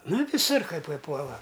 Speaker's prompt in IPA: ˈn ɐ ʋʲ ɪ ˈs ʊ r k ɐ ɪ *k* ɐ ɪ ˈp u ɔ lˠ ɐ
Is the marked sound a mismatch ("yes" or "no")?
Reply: yes